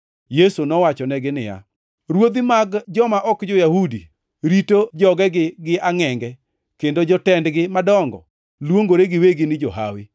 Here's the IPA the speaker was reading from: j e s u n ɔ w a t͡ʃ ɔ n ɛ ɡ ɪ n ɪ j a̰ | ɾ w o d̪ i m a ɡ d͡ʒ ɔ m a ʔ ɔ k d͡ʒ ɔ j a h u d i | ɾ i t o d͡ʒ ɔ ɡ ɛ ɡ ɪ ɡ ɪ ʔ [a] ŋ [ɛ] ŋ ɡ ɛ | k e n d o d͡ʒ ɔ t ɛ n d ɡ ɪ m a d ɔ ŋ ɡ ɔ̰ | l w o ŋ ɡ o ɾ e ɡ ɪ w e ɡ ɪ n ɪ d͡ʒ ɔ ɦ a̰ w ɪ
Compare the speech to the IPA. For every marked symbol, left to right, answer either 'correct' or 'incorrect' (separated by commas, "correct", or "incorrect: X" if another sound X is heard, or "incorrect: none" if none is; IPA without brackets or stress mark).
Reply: correct, correct